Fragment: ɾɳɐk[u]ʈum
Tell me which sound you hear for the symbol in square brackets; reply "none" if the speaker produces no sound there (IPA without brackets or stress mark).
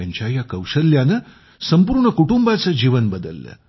u